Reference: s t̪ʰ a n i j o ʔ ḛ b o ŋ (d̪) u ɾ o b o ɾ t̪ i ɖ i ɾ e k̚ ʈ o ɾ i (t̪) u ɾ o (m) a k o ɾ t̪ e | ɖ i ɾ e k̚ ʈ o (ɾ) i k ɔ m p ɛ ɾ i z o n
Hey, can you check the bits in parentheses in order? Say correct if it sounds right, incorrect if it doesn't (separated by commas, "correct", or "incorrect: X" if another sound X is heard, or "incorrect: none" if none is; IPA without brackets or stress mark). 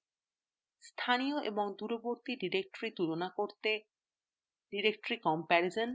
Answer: correct, correct, incorrect: n, correct